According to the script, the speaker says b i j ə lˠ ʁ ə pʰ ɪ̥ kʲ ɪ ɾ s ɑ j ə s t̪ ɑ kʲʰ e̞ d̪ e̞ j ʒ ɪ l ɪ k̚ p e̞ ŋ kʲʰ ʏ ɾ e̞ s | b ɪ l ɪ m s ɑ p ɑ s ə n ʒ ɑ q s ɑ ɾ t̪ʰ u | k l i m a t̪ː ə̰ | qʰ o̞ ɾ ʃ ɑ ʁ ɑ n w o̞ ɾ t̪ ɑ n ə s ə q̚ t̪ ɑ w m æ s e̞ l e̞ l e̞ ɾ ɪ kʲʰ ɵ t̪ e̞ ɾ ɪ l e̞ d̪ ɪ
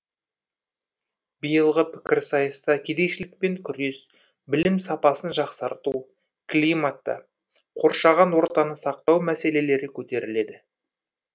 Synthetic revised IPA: b i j ə lˠ ʁ ə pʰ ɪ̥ kʲ ɪ ɾ s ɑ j ə s t̪ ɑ kʲʰ e̞ d̪ e̞ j ʃ ɪ l ɪ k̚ p e̞ ŋ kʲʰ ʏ ɾ e̞ s | b ɪ l ɪ m s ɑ p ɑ s ə n ʒ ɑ q s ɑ ɾ t̪ u | k l i m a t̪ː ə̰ | qʰ o̞ ɾ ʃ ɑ ʁ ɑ n w o̞ ɾ t̪ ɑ n ə s ɑ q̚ t̪ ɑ w m æ s e̞ l e̞ l e̞ ɾ ɪ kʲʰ ɵ t̪ e̞ ɾ ɪ l e̞ d̪ ɪ